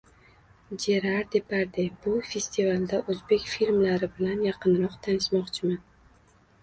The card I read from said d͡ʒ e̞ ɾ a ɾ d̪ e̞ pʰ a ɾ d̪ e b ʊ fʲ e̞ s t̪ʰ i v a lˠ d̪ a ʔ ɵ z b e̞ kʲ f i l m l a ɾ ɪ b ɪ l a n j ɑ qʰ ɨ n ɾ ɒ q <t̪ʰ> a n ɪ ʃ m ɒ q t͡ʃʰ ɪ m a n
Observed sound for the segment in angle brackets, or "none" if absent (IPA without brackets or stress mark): t̪ʰ